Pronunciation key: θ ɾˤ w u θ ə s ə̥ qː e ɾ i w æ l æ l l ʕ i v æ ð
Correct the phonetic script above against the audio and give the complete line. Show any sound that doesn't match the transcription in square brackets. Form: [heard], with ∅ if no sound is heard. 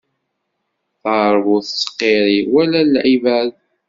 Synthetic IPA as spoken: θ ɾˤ [v] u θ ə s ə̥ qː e ɾ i w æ l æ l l ʕ i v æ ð

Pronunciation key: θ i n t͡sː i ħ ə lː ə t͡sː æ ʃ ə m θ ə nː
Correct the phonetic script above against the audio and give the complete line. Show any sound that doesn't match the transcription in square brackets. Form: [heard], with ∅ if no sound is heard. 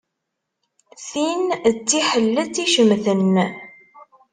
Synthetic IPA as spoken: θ i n t͡sː i ħ ə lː ə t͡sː [i] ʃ ə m θ ə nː

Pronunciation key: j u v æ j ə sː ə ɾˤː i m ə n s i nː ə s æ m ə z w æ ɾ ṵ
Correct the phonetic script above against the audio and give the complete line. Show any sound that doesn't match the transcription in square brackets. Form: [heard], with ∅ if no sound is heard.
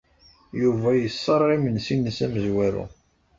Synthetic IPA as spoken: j u v æ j ə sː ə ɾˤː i m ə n s i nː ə s æ m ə z w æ ɾ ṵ

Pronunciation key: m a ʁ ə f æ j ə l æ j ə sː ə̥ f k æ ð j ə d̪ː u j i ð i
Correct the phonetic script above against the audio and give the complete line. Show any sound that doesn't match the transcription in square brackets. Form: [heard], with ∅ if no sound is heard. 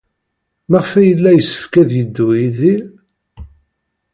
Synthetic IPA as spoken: m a ʁ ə f æ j ə [lː] æ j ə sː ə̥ f k æ ð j ə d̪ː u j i ð i

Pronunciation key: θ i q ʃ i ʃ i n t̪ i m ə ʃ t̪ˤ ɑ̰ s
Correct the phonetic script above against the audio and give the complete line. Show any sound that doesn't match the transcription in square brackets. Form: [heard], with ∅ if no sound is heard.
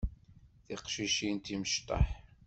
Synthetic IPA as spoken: θ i q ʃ i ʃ i n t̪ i m ə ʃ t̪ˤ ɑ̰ [ħ]

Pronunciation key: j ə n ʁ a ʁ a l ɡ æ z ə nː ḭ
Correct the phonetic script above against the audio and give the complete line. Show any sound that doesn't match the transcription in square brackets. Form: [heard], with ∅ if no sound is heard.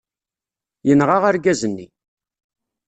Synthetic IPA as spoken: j ə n ʁ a ʁ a [ɾ] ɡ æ z ə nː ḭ

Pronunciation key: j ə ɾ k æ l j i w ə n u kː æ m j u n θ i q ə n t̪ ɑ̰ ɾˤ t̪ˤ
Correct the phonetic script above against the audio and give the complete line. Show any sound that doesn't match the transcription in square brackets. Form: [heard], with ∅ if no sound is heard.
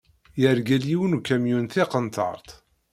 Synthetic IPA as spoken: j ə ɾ [ɡ] æ l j i w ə n u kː æ m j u n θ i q ə n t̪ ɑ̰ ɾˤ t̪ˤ

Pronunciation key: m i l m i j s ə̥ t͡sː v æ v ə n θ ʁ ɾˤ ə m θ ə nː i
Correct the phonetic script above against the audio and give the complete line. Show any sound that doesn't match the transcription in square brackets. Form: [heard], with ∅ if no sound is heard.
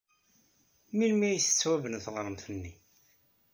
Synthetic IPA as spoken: m i l m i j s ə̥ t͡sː [w] æ v ə n θ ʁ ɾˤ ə m θ ə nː i

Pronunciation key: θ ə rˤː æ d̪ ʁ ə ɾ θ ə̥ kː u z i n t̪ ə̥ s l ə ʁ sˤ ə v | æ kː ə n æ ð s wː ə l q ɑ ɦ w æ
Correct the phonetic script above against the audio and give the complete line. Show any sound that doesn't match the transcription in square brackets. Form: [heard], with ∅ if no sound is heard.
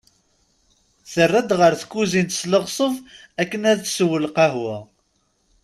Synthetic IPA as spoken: θ ə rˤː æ d̪ ʁ ə ɾ θ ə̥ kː u z i n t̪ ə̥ s l ə ʁ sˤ ə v | æ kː ə n æ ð s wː ə l q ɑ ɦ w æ

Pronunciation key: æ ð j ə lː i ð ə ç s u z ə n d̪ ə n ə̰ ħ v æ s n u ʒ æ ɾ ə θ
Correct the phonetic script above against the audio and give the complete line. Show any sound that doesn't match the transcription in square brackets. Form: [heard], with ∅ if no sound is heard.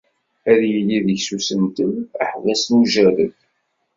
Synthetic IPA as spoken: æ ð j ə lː i ð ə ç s u [s] ə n [t̪] ə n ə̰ ħ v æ s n u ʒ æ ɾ ə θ

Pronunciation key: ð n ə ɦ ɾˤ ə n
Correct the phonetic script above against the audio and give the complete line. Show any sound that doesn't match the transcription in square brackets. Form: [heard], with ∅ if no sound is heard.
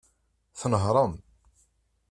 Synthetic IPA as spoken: [θ] n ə ɦ ɾˤ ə [m]

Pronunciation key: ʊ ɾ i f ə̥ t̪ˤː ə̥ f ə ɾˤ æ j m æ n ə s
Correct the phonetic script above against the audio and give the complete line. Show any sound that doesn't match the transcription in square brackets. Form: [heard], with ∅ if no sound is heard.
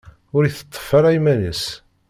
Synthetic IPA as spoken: ʊ ɾ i [θ] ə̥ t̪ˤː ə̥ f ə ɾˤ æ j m æ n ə s

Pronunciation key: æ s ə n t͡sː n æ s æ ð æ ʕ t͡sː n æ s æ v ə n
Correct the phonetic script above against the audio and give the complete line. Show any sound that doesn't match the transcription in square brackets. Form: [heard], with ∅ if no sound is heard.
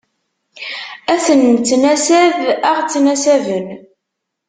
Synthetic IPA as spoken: æ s ə n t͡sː n æ s æ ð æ [ʁ] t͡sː n æ s æ v ə n

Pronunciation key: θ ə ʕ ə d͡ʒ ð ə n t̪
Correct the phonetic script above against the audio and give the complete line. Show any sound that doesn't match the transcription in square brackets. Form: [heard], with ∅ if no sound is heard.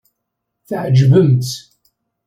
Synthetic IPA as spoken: θ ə ʕ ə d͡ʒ [v] ə [m] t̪

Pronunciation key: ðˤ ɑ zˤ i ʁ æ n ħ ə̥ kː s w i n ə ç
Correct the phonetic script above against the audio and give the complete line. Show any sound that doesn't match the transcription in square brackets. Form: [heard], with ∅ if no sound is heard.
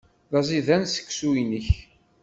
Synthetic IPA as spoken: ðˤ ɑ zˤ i [ð] æ n [s] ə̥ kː s [u] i n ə ç

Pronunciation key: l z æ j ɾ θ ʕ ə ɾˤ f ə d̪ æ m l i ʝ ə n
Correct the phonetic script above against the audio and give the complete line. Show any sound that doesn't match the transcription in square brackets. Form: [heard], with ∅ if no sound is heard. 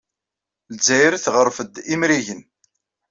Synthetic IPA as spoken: l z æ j ɾ θ [ʁ] ə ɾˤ f ə d̪ [i] m [ɾ] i ʝ ə n

